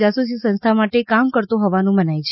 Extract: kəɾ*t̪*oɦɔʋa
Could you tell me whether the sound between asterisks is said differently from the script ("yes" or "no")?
no